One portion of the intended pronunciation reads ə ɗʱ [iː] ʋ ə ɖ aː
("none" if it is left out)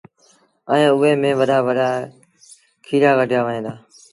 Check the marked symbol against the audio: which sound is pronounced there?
aː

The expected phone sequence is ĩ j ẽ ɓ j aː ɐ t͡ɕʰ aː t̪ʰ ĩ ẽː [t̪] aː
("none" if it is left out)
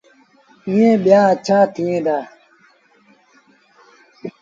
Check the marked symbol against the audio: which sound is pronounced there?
d̪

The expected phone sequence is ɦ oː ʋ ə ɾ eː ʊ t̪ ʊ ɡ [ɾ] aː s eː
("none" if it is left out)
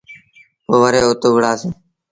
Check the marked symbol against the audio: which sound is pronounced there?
ɽ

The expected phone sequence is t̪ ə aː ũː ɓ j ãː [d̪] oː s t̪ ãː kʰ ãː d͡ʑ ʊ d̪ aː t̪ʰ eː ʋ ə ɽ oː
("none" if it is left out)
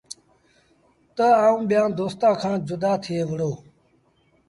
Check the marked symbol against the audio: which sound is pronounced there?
d̪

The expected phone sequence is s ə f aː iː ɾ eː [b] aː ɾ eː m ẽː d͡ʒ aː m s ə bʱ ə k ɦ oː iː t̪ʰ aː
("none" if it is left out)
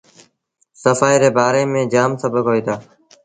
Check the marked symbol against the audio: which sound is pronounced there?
b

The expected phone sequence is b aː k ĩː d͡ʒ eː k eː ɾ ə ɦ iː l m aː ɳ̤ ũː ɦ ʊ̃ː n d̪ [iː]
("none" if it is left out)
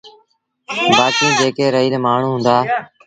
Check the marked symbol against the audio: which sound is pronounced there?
aː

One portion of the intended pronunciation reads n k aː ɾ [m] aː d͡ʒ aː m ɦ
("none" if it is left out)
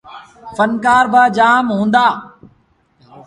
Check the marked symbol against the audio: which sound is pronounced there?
b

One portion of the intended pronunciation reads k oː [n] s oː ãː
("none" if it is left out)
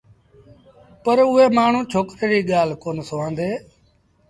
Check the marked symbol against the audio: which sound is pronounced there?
n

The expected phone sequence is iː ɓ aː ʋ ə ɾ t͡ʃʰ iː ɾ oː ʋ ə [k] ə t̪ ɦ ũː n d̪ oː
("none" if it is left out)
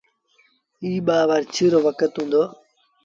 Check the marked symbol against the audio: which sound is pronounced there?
k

